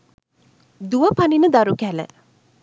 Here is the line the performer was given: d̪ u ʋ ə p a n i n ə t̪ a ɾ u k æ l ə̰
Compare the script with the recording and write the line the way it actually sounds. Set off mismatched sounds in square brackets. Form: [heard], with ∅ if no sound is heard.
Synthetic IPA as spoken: d̪ u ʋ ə p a n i n ə [d̪] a ɾ u k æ l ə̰